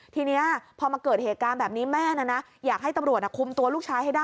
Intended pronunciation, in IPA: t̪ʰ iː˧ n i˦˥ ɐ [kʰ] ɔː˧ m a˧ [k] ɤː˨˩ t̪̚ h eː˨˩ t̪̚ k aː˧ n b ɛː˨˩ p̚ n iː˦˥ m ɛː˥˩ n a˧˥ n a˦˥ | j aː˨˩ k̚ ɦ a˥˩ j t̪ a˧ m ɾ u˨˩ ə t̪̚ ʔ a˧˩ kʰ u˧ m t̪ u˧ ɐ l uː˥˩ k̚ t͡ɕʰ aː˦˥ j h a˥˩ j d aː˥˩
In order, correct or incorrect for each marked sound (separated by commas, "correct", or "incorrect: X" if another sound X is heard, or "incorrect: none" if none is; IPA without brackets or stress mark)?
incorrect: pʰ, correct